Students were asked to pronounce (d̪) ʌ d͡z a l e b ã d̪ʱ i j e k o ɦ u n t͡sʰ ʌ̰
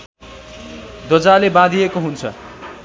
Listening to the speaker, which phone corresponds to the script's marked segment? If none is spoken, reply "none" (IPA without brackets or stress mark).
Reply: d̪